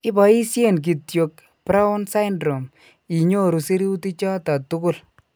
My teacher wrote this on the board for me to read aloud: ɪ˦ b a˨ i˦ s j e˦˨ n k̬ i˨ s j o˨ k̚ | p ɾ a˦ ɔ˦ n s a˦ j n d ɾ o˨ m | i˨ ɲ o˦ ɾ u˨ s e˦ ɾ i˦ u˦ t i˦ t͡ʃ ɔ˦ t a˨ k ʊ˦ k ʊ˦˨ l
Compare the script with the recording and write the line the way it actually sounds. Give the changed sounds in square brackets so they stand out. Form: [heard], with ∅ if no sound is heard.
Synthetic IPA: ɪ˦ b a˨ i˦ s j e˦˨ n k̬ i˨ [t] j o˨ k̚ | p ɾ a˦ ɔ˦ n s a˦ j n d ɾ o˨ m | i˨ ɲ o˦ ɾ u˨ s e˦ ɾ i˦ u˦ t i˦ t͡ʃ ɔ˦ t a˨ [t] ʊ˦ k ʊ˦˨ l

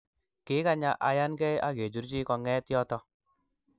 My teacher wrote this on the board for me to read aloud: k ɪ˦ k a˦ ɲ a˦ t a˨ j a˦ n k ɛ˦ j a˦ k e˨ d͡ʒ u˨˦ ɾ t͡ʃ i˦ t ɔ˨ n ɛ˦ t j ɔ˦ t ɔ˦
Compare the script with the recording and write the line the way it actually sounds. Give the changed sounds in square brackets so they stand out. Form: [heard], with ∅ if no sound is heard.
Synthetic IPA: k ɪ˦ k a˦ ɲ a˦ [ʔ] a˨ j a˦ n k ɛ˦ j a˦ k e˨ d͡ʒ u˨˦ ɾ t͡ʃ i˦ [k] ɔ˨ [ŋ] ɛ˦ t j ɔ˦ t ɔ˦

